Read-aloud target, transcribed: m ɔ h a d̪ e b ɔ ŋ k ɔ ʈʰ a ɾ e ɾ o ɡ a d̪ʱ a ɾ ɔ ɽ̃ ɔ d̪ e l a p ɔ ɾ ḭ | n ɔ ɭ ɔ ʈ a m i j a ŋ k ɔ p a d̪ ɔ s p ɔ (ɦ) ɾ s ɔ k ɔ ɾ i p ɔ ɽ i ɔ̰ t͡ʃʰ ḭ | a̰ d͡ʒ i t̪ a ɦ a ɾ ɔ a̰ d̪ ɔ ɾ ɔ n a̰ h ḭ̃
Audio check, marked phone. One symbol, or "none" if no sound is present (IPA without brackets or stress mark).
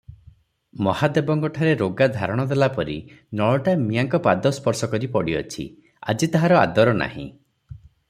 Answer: none